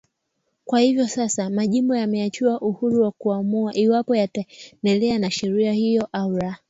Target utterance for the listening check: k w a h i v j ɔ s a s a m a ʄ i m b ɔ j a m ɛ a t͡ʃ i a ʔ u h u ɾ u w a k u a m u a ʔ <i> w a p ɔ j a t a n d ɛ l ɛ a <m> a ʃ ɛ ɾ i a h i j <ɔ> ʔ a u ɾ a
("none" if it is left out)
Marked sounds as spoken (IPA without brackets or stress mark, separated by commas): i, n, ɔ